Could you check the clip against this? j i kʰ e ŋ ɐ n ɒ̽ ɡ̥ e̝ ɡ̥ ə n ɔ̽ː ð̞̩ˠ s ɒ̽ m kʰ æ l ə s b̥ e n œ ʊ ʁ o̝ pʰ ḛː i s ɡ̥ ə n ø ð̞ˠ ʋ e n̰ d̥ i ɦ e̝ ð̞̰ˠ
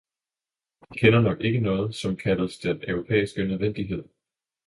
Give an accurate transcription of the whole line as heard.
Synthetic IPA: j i kʰ e n ɐ n ɒ̽ ɡ̥ e̝ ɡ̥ ə n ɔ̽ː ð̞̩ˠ s ɒ̽ m kʰ æ l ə s d̥ e n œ ʊ ʁ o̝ pʰ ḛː i s ɡ̥ ə n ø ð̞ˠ ʋ e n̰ d̥ i ɦ e̝ ð̞̰ˠ